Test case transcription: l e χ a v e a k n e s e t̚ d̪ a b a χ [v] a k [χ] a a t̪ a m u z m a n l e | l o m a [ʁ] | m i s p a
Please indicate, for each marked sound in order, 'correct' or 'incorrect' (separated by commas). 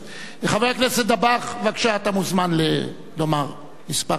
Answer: correct, incorrect, correct